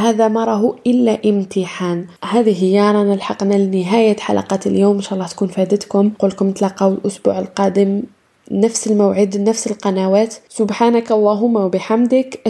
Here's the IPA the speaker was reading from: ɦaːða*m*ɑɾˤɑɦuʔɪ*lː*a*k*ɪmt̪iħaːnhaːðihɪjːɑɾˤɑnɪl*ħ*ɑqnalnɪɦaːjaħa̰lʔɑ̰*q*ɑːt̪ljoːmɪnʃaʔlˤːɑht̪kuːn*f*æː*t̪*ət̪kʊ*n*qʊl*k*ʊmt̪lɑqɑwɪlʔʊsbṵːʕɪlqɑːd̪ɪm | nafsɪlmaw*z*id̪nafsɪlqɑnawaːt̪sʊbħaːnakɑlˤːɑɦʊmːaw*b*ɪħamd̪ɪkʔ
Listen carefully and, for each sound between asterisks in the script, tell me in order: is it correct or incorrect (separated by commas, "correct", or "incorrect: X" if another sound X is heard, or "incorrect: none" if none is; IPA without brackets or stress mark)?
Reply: correct, correct, incorrect: ʔ, correct, correct, correct, incorrect: d̪, incorrect: m, correct, incorrect: ʕ, correct